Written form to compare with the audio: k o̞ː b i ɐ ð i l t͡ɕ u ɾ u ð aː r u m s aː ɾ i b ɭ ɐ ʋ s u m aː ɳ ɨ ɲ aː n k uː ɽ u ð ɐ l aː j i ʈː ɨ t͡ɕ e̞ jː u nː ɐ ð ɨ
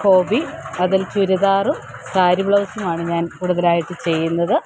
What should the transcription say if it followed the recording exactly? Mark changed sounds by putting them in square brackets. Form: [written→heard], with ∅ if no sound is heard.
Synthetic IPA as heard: k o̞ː b i ɐ ð i l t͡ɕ u ɾ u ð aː r u m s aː ɾ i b ɭ ɐ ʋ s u m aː ɳ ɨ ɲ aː n k uː ɽ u ð ɐ l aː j i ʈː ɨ t͡ɕ e̞ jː u nː ɐ ð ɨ